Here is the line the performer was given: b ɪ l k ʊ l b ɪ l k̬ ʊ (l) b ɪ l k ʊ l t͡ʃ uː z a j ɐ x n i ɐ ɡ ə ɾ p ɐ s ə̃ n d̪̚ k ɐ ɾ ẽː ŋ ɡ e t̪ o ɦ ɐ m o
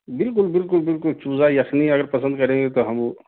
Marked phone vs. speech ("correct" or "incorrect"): correct